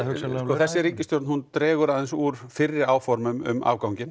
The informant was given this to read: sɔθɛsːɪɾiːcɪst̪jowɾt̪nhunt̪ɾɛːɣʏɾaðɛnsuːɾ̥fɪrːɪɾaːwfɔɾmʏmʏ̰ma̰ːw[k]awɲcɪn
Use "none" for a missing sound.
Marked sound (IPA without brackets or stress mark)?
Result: k